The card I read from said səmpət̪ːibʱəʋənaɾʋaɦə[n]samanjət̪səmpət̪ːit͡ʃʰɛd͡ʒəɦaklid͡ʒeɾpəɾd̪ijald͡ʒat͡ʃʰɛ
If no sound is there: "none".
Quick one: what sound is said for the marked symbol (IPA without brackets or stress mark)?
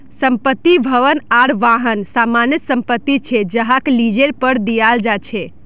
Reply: n